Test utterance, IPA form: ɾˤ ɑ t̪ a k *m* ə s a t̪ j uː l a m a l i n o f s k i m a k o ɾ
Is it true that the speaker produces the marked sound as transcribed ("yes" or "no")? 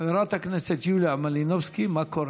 no